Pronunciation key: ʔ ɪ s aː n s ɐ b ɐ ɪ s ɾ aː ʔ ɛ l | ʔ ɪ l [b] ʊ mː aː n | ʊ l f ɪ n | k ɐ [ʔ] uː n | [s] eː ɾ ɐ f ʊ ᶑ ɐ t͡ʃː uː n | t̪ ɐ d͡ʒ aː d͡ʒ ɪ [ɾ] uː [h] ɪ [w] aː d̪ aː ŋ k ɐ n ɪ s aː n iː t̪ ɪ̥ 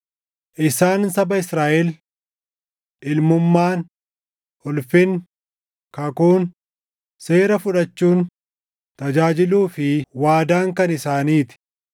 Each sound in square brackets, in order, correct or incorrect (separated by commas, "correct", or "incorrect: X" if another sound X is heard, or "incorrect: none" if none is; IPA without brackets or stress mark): incorrect: m, incorrect: k, correct, incorrect: l, incorrect: f, correct